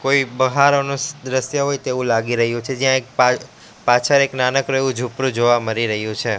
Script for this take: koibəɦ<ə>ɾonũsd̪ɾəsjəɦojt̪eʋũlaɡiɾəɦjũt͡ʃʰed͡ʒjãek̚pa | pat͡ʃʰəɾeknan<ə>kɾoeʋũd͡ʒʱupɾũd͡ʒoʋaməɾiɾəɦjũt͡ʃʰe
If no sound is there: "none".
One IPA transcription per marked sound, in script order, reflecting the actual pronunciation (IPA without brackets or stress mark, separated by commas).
a, ə